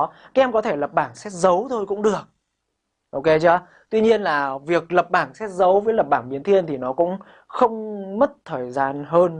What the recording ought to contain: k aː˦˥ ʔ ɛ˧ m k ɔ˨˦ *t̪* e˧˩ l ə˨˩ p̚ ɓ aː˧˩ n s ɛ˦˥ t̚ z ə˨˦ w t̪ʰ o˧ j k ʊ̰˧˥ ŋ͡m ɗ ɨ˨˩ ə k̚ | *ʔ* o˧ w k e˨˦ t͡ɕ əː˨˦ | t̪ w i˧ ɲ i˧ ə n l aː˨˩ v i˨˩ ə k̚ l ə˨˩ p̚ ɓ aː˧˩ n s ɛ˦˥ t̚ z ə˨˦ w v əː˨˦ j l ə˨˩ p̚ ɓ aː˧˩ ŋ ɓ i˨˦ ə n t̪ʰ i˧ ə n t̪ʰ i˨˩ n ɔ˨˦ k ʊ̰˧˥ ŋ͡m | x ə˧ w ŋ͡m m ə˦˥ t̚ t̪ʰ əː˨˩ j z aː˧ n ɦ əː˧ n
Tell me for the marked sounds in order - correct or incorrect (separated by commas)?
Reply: incorrect, correct